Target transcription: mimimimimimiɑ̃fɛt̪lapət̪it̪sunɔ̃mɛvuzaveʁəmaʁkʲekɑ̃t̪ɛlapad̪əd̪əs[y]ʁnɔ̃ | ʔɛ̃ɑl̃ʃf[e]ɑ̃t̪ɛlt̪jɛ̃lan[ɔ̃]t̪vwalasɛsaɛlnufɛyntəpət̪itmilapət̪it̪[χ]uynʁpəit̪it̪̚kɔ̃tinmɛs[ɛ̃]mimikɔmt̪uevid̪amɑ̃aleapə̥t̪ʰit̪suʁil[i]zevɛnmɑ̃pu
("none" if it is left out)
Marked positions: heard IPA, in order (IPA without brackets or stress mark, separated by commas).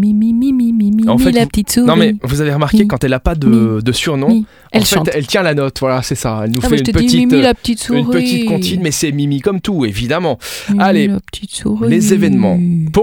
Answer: y, ɛ, ɔ, s, ɛ, e